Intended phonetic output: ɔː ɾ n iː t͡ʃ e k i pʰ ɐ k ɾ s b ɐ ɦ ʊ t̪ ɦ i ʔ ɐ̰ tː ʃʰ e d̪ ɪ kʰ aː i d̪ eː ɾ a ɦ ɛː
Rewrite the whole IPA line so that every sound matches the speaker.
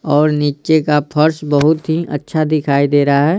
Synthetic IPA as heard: ɔː ɾ n iː t͡ʃ e k a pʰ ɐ ɾ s b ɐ ɦ ʊ t̪ ɦ i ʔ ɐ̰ tː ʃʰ a d̪ ɪ kʰ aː i d̪ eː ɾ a ɦ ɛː

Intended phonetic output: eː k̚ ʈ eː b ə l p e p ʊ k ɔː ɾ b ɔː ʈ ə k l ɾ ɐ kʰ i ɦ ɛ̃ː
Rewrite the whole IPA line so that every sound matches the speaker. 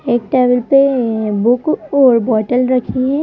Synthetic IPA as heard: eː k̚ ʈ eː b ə l p e b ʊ k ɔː ɾ b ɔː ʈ ə l ɾ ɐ kʰ i ɦ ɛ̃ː

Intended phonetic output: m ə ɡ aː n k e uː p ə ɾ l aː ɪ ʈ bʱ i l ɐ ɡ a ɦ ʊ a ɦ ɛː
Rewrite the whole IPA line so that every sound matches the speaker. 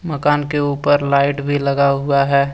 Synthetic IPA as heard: m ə k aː n k e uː p ə ɾ l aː ɪ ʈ bʱ i l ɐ ɡ a ɦ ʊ a ɦ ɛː

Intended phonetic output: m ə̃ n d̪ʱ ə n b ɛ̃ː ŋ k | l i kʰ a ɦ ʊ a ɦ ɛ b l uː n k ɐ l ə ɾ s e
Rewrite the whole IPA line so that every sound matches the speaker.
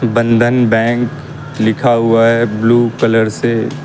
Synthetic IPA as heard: b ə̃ n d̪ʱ ə n b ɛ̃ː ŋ k | l ɪ kʰ a ɦ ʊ a ɦ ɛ b l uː k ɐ l ə ɾ s e

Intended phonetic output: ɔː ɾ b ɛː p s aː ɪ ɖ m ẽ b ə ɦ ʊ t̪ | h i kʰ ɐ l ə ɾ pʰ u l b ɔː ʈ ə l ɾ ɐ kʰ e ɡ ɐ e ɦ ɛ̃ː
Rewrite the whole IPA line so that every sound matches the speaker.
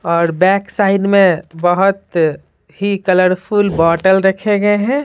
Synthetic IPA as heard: ɔː ɾ b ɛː k s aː ɪ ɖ m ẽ b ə ɦ ʊ t̪ | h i k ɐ l ə ɾ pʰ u l b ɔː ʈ ə l ɾ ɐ kʰ e ɡ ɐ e ɦ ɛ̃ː

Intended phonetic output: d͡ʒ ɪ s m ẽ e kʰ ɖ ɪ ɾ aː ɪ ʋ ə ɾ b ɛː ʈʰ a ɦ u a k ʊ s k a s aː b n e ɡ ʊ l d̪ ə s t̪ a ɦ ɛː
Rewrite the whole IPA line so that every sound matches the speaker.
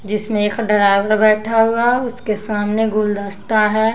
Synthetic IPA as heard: d͡ʒ ɪ s m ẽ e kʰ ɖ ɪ ɾ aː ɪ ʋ ə ɾ b ɛː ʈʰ a ɦ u a ʊ s k e s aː m n e ɡ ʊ l d̪ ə s t̪ a ɦ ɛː

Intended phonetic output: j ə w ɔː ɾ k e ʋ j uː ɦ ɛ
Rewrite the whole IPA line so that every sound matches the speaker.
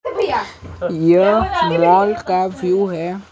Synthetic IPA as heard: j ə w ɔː l k a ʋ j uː ɦ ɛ

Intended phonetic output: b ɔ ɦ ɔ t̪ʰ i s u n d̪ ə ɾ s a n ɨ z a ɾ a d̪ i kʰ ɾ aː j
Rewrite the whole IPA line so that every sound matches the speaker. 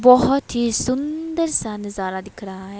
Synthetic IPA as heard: b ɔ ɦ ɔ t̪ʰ i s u n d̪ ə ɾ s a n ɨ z a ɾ a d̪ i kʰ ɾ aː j

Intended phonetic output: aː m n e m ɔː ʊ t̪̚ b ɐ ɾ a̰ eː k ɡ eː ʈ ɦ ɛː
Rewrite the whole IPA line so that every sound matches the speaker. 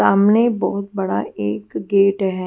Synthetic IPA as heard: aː m n e b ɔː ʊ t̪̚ b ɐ ɽ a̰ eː k ɡ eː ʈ ɦ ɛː

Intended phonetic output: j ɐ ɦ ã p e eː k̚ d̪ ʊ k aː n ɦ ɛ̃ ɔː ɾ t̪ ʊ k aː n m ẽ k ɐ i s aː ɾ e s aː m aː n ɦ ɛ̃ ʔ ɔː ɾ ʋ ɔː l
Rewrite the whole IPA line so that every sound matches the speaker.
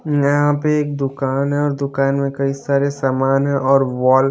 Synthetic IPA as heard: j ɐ ɦ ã p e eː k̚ d̪ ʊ k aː n ɦ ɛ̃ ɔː ɾ d̪ ʊ k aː n m ẽ k ɐ i s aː ɾ e s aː m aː n ɦ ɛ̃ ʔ ɔː ɾ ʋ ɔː l

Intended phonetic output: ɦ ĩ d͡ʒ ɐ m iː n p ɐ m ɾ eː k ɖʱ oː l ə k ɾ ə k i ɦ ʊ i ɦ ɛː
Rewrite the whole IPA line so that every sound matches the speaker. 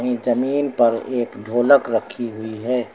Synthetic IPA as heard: ɦ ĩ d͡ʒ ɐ m iː n p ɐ ɾ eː k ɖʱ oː l ə k ɾ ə kʰ i ɦ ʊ i ɦ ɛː

